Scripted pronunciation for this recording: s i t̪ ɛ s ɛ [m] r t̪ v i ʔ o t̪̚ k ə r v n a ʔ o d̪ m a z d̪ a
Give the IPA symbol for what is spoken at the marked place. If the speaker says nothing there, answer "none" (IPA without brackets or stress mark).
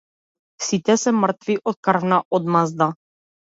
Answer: m